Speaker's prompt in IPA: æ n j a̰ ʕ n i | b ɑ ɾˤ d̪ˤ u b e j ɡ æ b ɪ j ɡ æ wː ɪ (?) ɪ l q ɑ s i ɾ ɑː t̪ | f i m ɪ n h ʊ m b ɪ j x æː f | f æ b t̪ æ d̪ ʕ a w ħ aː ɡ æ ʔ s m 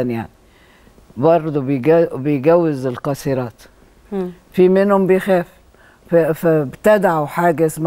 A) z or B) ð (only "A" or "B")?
A